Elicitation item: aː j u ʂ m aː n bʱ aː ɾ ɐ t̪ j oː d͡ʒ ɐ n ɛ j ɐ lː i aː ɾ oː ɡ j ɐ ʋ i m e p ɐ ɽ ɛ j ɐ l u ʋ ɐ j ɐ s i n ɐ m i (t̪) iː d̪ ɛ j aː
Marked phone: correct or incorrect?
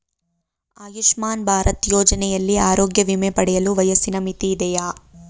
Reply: correct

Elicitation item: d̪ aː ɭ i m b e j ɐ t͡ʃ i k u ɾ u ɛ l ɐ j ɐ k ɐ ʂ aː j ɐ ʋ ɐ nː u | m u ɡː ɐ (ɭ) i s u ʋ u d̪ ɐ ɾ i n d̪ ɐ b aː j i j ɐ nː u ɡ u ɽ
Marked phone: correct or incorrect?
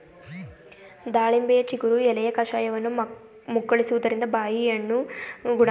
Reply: correct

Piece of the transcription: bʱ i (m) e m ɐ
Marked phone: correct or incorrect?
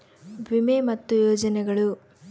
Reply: correct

